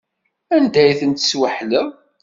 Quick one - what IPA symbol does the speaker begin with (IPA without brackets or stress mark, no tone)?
æ